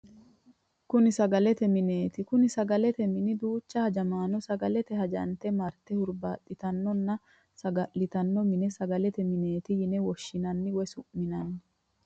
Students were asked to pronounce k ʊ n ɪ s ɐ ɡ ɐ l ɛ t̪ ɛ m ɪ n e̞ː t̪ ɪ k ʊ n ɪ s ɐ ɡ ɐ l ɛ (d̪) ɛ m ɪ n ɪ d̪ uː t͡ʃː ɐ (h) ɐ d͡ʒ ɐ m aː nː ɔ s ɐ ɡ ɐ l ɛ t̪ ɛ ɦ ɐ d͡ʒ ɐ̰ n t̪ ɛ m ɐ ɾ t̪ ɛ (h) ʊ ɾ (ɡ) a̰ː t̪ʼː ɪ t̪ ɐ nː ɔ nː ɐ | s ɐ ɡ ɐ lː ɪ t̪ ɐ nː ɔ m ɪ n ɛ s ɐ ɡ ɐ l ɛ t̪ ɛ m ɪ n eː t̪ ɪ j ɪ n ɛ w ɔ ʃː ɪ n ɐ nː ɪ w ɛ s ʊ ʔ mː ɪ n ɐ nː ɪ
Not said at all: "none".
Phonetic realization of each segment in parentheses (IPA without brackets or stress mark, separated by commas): t̪, h, h, b